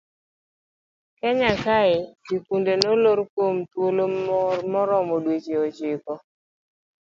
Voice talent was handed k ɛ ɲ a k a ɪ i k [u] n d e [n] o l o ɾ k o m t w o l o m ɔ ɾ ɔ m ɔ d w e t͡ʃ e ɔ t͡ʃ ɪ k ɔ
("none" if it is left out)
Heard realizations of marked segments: u, n

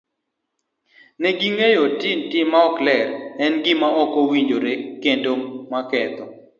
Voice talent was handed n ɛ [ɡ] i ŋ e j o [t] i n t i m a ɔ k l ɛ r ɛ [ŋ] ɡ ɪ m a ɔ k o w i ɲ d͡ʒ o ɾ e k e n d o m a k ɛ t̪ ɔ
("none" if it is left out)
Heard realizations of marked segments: ɡ, t, n

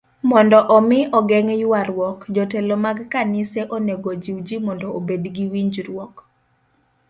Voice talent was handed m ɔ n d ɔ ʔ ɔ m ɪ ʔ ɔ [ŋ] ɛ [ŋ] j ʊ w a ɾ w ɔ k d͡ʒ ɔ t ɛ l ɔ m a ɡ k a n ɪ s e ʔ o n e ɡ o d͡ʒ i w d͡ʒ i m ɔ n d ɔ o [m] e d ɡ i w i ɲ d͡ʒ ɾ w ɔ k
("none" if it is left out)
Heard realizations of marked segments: ɡ, ŋ, b

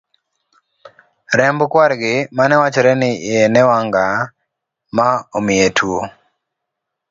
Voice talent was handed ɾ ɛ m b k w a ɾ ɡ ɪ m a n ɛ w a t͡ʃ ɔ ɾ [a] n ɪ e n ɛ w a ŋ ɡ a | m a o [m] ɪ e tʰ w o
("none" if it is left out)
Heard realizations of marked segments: ɛ, m

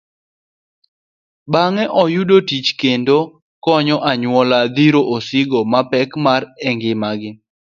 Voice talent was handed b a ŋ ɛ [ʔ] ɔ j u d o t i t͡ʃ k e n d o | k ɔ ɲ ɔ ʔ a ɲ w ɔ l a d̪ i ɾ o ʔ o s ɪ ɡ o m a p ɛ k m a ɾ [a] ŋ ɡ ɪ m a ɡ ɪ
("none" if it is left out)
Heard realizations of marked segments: ʔ, ɛ

